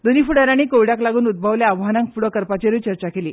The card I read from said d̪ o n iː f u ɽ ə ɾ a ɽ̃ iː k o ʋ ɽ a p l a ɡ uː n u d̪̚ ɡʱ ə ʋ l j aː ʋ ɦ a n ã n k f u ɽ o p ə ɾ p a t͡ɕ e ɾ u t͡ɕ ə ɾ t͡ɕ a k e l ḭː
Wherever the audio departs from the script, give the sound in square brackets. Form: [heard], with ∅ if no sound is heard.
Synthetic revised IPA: d̪ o n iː f u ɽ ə ɾ a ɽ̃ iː k o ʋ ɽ a [k] l a ɡ uː n u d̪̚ [bʱ] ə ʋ l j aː ʋ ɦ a n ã [ŋ] k f u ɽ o [k] ə ɾ p a t͡ɕ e ɾ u t͡ɕ ə ɾ t͡ɕ a k e l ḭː